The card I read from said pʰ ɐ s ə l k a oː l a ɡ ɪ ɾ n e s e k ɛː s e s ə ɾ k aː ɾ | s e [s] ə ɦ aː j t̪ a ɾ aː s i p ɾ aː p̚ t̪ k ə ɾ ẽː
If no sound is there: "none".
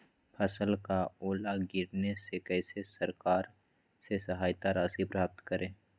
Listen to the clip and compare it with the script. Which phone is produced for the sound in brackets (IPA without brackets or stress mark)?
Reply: s